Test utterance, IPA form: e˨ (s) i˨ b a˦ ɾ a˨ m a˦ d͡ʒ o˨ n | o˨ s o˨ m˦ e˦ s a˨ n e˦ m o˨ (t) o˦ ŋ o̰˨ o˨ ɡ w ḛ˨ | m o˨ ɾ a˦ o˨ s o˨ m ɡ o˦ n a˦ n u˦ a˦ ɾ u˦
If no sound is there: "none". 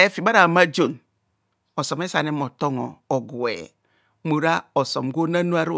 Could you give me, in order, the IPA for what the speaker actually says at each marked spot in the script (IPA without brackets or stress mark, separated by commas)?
f, t